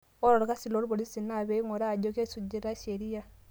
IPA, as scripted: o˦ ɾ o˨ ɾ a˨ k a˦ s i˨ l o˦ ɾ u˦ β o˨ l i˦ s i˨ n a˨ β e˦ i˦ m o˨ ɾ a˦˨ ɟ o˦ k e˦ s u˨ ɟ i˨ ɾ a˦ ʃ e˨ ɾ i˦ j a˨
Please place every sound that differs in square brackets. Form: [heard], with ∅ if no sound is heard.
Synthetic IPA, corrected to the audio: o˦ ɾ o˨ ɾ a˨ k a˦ s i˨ l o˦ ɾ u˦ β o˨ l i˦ s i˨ n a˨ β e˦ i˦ [ŋ] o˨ ɾ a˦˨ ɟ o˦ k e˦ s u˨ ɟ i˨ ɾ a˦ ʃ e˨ ɾ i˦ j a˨